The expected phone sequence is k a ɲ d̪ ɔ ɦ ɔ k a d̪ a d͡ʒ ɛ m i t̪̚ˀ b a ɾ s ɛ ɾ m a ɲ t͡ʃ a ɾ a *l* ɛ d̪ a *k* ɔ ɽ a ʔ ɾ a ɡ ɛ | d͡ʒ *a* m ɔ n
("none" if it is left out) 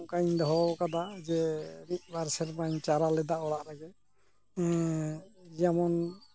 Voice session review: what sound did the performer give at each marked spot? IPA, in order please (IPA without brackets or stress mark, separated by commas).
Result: l, none, a